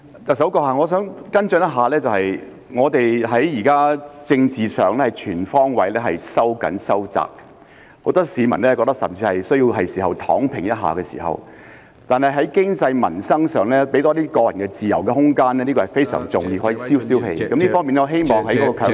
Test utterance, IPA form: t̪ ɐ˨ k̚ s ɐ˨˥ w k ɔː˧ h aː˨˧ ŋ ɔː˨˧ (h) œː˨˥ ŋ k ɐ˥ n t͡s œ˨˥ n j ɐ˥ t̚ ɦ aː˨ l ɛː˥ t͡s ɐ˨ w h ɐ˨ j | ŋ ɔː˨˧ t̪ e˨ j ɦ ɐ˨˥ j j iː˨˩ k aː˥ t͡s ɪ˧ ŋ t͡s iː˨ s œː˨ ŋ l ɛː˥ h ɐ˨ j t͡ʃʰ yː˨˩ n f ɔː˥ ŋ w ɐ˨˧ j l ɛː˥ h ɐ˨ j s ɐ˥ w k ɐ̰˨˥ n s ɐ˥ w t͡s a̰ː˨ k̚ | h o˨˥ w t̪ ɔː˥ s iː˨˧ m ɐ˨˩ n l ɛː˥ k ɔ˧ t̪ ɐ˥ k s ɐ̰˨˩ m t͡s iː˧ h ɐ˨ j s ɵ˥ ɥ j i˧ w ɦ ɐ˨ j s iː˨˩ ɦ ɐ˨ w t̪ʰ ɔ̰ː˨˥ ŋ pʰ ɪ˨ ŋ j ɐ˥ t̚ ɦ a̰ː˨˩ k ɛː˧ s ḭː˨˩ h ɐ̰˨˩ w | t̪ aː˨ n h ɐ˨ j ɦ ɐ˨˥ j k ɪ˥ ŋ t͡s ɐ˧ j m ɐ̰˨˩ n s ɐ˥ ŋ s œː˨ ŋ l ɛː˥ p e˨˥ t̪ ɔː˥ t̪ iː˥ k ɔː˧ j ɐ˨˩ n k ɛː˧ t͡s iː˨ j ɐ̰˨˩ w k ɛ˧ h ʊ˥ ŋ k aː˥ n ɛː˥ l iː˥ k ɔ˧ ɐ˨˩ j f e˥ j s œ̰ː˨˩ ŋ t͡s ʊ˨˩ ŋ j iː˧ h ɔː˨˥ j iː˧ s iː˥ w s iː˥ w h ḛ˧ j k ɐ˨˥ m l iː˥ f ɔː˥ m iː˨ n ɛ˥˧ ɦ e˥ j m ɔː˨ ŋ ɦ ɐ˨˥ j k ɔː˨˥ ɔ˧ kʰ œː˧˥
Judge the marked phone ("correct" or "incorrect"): incorrect